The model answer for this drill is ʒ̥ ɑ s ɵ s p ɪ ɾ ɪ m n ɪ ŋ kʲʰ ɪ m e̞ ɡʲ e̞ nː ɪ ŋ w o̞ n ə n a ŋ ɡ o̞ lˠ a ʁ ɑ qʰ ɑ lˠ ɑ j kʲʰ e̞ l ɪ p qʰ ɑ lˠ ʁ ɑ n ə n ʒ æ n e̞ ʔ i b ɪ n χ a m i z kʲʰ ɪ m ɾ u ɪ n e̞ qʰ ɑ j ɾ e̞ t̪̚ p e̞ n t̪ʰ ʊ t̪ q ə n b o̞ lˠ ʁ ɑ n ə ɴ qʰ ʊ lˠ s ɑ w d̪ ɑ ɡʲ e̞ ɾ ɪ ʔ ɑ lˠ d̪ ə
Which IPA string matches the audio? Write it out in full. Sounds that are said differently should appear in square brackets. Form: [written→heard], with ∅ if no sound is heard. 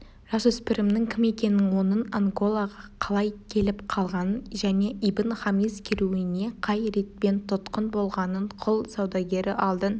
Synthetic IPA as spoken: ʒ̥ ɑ s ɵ s p ɪ ɾ ɪ m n ɪ ŋ kʲʰ ɪ m e̞ [ɡʲ→kʲ] e̞ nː ɪ ŋ w o̞ n ə n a ŋ ɡ o̞ lˠ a ʁ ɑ qʰ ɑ lˠ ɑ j kʲʰ e̞ l ɪ p qʰ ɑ lˠ ʁ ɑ n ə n ʒ æ n e̞ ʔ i b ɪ n χ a m i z kʲʰ ɪ [m→∅] ɾ u ɪ n e̞ qʰ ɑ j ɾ e̞ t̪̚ p e̞ n t̪ʰ ʊ t̪ q ə n b o̞ lˠ ʁ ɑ n ə ɴ qʰ ʊ lˠ s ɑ w d̪ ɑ ɡʲ e̞ ɾ ɪ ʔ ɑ lˠ d̪ ə